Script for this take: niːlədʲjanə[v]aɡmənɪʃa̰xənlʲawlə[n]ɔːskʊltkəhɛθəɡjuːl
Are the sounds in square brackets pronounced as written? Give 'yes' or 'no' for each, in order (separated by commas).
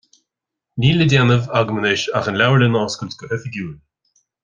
yes, yes